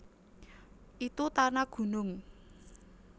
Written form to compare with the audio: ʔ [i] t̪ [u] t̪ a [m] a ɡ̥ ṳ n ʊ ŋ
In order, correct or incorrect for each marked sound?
correct, correct, incorrect

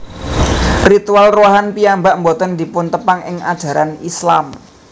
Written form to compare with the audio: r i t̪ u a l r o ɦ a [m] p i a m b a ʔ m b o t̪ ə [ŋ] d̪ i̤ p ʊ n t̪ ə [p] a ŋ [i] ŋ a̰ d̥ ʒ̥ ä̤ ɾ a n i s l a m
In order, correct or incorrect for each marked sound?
incorrect, incorrect, correct, incorrect

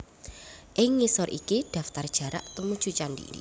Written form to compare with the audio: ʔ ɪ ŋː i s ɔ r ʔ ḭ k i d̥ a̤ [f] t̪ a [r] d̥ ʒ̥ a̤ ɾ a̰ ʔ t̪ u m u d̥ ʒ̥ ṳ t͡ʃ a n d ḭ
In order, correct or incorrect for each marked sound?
correct, correct

